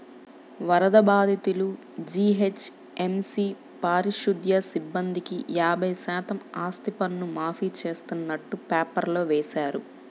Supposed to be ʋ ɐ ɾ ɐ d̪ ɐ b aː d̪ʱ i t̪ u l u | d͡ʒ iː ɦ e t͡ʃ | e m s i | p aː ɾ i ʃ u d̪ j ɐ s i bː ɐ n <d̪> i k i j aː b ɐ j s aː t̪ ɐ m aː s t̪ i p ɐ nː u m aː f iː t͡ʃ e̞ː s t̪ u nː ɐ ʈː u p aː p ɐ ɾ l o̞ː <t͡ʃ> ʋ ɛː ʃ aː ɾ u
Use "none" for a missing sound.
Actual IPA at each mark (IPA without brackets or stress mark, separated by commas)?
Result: d̪, none